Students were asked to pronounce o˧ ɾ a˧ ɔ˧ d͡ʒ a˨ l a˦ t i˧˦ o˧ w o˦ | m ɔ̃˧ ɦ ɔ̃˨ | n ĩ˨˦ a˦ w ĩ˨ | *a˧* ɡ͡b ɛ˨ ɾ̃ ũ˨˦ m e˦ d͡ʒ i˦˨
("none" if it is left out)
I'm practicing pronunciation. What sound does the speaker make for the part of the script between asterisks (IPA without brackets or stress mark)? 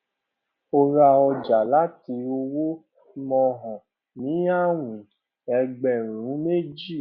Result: ɛ˧